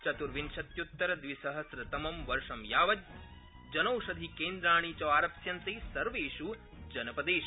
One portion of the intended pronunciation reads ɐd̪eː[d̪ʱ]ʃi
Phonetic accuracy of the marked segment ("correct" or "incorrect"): incorrect